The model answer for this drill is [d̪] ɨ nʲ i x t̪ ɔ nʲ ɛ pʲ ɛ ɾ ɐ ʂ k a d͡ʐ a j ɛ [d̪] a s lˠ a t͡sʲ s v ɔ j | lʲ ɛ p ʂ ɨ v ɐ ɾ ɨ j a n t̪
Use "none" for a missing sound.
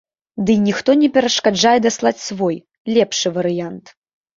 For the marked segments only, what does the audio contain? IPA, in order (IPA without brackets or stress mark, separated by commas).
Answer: d̪, d̪